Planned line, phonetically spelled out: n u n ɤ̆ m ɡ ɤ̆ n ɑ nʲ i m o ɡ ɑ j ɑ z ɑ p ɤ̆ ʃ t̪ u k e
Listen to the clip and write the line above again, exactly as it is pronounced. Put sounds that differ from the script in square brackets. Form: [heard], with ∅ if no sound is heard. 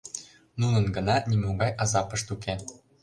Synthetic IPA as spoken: n u n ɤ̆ [n] ɡ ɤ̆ n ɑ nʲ i m o ɡ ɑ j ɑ z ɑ p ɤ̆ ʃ t̪ u k e